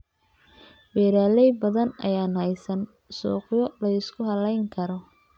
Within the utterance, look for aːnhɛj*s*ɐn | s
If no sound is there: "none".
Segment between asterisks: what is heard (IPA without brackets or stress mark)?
s